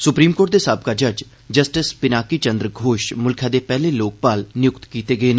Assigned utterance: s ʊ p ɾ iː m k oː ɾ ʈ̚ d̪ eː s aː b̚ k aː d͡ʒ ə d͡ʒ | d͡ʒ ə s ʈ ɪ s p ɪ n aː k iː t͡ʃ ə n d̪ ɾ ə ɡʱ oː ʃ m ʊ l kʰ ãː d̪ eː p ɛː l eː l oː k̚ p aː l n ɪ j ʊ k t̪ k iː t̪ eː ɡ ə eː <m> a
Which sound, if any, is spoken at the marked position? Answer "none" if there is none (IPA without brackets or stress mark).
n